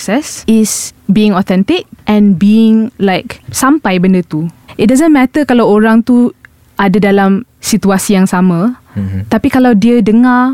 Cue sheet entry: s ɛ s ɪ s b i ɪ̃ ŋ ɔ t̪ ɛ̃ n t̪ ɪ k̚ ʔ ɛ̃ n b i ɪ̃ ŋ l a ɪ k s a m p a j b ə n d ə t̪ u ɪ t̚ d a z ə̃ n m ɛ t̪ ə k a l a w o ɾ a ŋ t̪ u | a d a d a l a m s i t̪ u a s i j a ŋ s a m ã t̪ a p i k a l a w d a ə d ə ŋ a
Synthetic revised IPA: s ɛ s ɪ s b i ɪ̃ ŋ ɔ t̪ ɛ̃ n t̪ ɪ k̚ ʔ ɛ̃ n b i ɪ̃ ŋ l a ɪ k s a m p a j b ə n d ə t̪ u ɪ t̚ d a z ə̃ n m ɛ t̪ ə k a l a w o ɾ a ŋ t̪ u | a d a d a l a m s i t̪ u a s i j a ŋ s a m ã t̪ a p i k a l a w d i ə d ə ŋ a